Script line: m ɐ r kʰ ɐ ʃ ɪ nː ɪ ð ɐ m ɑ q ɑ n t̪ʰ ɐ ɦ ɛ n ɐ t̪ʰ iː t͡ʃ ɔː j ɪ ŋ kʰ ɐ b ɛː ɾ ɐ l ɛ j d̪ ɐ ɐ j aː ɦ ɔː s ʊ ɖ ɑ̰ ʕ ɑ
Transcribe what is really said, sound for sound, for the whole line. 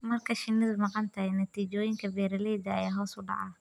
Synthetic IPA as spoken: m ɐ r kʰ ɐ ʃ ɪ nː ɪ ð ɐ m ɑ q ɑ n t̪ʰ ɐ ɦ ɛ n ɐ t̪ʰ iː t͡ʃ ɔː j ɪ ŋ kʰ ɐ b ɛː ɾ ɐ l ɛ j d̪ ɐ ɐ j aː ɦ ɔː s ʊ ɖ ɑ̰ ʕ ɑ